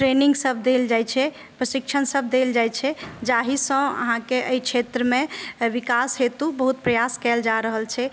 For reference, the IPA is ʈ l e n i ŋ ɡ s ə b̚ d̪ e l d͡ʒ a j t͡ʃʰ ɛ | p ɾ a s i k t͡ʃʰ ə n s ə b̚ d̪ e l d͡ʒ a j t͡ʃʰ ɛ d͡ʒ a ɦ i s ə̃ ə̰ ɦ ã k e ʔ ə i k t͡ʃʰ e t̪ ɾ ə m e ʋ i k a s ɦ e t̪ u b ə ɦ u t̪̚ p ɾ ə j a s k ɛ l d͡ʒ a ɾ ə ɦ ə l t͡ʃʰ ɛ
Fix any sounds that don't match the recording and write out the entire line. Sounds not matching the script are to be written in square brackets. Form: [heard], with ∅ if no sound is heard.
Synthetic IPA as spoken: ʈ [ɾ] e n i ŋ ɡ s ə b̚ d̪ e l d͡ʒ a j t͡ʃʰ ɛ | p ɾ [ə] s i k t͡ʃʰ ə n s ə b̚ d̪ e l d͡ʒ a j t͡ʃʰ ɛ d͡ʒ a ɦ i s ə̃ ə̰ ɦ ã k e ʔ ə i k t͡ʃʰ e t̪ ɾ ə m e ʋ i k a s ɦ e t̪ u b ə ɦ u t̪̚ p ɾ ə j a s k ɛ l d͡ʒ a ɾ ə ɦ ə l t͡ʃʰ ɛ